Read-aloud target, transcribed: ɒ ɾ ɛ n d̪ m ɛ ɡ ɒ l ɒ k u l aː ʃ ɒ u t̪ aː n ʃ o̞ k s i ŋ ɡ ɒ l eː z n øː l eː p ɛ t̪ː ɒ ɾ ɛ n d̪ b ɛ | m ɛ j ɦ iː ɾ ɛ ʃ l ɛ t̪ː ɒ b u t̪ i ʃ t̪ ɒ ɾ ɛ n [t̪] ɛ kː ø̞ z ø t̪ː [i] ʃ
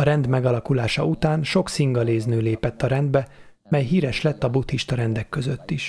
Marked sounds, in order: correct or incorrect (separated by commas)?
incorrect, correct